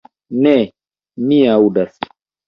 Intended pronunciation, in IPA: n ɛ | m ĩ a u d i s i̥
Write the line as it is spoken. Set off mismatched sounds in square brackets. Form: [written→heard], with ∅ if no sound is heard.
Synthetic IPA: n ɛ | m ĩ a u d [i→a] s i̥

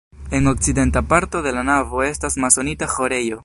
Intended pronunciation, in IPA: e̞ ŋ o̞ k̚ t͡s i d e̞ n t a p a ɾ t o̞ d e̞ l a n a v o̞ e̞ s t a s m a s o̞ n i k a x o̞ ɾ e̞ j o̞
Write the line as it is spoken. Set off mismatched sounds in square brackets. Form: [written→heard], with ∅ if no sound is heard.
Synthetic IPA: e̞ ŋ o̞ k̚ t͡s i d e̞ n t a p a ɾ t o̞ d e̞ l a n a v o̞ e̞ s t a s m a s o̞ n i [k→t] a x o̞ ɾ e̞ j o̞

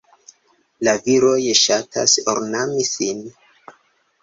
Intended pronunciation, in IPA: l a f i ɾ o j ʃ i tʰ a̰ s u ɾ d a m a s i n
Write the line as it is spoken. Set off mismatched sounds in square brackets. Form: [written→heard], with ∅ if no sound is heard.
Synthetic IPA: l a [f→v] i ɾ o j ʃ [i→a] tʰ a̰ s [u→o] ɾ [d→n] a m [a→i] s i n

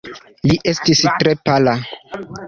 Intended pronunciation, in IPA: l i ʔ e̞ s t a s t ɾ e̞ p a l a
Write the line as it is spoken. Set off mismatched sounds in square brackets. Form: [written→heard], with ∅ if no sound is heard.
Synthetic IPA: l i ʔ e̞ s t [a→i] s t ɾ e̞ p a l a

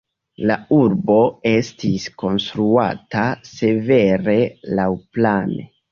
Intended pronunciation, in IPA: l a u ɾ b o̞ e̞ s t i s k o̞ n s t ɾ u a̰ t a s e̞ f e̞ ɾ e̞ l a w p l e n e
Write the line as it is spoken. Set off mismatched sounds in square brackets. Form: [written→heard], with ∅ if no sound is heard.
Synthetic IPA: l a u ɾ b o̞ e̞ s t i s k o̞ n s t ɾ u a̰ t a s e̞ [f→v] e̞ ɾ e̞ l a w p l [e→a] n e

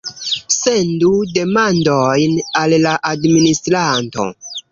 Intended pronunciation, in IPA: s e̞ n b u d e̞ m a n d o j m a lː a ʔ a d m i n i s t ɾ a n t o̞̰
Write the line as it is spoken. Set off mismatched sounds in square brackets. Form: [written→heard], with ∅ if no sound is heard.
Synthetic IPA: s e̞ n [b→d] u d e̞ m a n d o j [m→n] a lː a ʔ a d m i n i s t ɾ a n t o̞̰

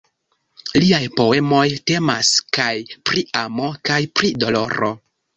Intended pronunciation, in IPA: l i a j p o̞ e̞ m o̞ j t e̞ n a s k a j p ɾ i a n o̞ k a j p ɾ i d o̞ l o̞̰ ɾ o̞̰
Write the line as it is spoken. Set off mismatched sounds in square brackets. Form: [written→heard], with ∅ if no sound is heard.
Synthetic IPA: l i a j p o̞ e̞ m o̞ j t e̞ [n→m] a s k a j p ɾ i a [n→m] o̞ k a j p ɾ i d o̞ l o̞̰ ɾ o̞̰

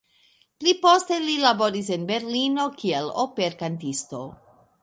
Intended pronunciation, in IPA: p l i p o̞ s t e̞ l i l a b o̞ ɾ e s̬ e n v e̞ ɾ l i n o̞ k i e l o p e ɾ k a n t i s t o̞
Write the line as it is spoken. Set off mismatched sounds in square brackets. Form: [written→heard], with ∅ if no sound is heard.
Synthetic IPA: p l i p o̞ s t e̞ l i l a b o̞ ɾ [e→i] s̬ e n [v→b] e̞ ɾ l i n o̞ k i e l o p e ɾ k a n t i s t o̞

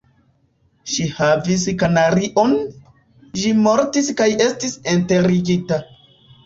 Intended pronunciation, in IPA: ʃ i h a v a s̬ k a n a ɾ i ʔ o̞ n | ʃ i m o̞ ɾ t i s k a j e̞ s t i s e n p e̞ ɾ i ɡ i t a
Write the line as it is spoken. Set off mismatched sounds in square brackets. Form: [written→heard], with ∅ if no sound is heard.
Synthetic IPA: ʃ i h a v [a→i] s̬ k a n a ɾ i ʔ o̞ n | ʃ i m o̞ ɾ t i s k a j e̞ s t i s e n [p→t] e̞ ɾ i ɡ i t a

